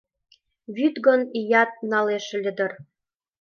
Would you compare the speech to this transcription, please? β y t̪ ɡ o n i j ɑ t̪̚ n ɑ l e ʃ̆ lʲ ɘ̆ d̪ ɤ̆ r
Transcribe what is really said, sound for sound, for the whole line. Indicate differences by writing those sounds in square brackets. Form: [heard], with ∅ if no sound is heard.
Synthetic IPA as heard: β y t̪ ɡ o n i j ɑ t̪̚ n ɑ l e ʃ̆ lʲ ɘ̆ d̪ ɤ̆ r